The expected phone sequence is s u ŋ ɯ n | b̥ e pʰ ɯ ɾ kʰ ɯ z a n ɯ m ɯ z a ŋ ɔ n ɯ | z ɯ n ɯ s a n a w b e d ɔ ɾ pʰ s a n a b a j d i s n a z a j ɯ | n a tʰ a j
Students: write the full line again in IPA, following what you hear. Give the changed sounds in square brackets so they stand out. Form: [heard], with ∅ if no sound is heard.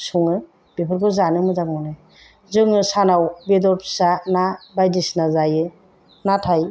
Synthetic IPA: s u ŋ ɯ [∅] | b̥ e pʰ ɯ ɾ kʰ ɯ z a n ɯ m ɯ z a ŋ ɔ n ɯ | z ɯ [ŋ] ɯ s a n a w b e d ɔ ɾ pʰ s a n a b a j d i s n a z a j ɯ | n a tʰ a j